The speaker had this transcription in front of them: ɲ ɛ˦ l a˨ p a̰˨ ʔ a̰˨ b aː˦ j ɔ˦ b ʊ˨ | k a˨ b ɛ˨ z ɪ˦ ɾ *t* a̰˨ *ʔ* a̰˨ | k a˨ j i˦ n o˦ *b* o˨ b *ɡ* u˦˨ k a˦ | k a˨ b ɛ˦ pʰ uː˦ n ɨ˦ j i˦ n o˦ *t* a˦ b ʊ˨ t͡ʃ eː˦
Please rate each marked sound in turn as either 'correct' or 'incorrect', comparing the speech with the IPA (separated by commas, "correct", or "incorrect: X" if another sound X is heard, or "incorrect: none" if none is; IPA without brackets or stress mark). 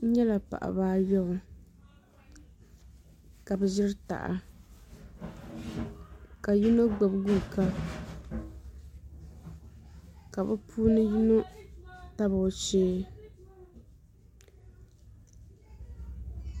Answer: correct, correct, incorrect: ɡ͡b, correct, correct